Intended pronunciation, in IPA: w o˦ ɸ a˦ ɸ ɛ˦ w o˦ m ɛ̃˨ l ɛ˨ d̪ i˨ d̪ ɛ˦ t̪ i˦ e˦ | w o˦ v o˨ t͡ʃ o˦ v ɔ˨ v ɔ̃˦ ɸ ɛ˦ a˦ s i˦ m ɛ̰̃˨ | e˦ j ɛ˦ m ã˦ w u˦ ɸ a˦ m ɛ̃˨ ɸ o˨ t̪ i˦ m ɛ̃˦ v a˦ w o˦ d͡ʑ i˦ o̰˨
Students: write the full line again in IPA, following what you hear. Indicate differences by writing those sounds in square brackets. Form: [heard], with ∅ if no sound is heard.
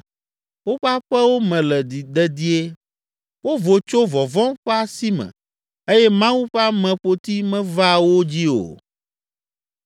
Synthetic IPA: w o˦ ɸ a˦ ɸ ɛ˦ w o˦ m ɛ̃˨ l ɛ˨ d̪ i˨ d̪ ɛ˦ [d̪] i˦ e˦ | w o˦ v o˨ t͡ʃ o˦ v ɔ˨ v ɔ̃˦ ɸ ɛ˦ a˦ s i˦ m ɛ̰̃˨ | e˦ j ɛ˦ m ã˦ w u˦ ɸ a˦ m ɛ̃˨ ɸ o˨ t̪ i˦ m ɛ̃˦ v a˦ w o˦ d͡ʑ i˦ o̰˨

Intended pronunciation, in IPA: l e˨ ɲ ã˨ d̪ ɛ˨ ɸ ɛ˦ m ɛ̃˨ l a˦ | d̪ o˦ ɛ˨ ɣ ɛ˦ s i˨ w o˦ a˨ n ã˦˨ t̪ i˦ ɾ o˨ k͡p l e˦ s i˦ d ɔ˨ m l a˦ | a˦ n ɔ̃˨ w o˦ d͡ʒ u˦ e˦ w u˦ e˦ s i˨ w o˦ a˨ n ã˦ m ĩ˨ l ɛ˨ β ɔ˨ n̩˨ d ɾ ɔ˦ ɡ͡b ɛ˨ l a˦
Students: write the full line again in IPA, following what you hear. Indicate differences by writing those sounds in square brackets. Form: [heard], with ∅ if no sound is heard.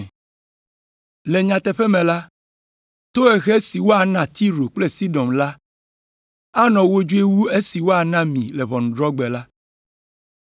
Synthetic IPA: l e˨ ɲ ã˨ [t̪] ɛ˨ ɸ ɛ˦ m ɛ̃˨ l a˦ | [t̪] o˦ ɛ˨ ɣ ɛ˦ s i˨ w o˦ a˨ n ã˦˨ t̪ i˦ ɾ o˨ k͡p l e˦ s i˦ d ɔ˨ m l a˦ | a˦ n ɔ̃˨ w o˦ d͡ʒ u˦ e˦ w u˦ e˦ s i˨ w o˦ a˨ n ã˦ m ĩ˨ l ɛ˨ β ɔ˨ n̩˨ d ɾ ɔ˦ ɡ͡b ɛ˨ l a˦

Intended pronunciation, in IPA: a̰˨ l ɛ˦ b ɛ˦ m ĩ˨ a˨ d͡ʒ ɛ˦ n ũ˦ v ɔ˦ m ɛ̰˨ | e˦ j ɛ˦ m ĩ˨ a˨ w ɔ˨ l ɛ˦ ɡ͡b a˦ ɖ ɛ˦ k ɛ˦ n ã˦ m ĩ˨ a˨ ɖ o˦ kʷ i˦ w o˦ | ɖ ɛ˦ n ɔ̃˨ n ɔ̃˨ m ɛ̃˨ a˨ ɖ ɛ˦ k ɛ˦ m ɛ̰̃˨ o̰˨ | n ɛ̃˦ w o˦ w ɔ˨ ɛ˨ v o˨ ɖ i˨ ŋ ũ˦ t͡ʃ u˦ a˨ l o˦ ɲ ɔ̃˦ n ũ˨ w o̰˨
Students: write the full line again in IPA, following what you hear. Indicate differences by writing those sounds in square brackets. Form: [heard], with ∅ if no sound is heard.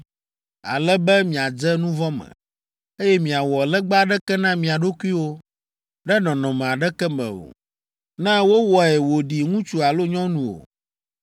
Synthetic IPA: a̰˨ l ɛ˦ b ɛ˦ m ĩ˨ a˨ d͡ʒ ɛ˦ n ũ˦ v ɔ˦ m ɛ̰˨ | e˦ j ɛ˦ m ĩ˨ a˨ w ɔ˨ l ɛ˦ ɡ͡b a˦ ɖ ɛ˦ k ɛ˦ n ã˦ m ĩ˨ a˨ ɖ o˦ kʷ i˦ w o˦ | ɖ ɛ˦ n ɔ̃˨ n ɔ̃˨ m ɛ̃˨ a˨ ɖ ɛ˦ k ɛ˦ m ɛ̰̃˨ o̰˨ | n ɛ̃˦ w o˦ w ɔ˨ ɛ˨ [w] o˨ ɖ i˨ ŋ ũ˦ t͡ʃ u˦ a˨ l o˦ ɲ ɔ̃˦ n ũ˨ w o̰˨

